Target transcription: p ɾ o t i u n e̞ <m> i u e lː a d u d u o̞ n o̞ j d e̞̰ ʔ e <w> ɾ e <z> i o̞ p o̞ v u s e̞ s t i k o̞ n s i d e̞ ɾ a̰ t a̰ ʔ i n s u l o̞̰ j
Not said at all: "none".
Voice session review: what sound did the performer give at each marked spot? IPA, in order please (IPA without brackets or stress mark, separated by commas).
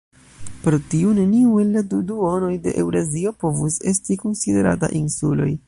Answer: n, w, z